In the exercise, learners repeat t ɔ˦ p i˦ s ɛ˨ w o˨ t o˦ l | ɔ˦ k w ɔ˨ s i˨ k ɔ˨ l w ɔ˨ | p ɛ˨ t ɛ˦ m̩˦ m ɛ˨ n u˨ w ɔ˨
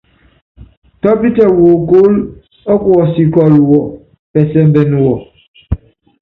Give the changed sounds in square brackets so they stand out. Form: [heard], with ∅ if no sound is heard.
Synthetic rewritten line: t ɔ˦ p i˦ [t] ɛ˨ w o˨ [k] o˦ l | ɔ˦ k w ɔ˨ s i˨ k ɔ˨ l w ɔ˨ | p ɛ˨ [s] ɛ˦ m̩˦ [b] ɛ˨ n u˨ w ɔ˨